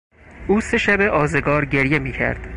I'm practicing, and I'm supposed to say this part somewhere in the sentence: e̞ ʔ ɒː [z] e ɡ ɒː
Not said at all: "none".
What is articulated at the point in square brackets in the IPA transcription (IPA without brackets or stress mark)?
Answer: z